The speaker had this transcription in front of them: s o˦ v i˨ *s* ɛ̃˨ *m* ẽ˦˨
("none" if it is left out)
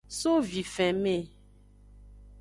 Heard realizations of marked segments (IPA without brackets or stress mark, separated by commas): f, m